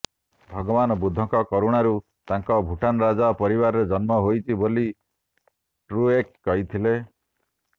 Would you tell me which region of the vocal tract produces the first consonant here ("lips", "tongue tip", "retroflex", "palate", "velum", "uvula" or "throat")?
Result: lips